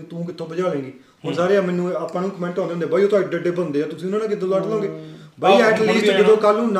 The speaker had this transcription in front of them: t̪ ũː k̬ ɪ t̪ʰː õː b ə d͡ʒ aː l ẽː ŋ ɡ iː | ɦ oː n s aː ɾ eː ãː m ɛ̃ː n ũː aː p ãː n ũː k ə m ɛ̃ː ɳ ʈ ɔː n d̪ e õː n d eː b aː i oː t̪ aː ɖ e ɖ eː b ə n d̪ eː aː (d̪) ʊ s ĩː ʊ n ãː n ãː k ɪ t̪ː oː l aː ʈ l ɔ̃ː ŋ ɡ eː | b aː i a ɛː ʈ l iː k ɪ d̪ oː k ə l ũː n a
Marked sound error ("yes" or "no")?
yes